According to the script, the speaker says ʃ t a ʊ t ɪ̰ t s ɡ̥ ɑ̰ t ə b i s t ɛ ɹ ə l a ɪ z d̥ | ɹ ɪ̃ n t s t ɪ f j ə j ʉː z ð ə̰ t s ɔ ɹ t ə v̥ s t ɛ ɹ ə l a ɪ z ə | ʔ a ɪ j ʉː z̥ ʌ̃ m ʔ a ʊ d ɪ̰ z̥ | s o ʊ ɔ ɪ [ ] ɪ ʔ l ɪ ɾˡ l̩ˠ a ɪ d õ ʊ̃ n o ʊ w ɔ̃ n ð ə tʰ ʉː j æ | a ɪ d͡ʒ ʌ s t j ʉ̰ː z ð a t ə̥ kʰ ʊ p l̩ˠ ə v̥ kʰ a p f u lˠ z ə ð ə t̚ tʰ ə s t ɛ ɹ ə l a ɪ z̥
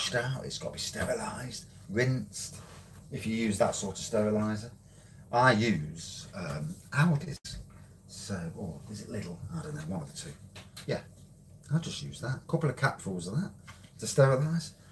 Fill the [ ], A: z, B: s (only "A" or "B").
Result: A